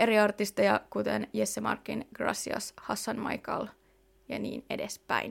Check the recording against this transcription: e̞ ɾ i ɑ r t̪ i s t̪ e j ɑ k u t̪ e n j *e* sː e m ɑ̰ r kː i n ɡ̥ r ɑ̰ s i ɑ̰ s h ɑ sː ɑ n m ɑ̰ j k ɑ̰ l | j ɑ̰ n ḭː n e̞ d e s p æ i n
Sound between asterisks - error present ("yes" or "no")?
no